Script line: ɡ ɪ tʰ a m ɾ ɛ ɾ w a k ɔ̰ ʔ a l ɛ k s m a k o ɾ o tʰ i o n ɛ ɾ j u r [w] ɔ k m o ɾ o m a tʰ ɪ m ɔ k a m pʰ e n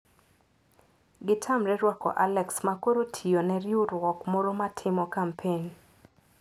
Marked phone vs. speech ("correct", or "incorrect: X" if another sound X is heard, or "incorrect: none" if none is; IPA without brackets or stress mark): correct